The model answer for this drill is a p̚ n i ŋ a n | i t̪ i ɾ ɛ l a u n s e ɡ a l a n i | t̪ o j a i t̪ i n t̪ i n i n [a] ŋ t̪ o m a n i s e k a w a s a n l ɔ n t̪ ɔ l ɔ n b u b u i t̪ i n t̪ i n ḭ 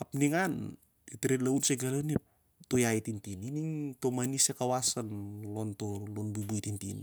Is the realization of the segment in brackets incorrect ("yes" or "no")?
yes